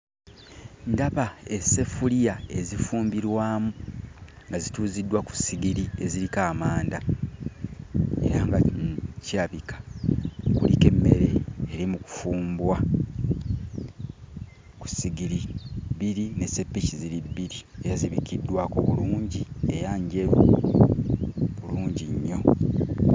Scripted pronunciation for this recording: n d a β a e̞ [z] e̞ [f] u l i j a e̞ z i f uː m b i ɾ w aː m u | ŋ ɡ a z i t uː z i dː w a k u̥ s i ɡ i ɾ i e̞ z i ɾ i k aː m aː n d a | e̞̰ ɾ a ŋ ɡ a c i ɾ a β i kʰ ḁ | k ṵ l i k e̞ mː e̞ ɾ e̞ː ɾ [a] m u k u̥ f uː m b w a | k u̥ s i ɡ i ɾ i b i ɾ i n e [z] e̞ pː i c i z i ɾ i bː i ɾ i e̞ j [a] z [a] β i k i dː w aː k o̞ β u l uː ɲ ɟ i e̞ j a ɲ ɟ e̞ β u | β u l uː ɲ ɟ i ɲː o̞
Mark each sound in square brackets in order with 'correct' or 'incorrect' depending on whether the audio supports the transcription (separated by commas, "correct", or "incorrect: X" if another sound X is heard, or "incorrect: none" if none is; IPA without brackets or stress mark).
incorrect: s, correct, incorrect: i, incorrect: s, correct, incorrect: i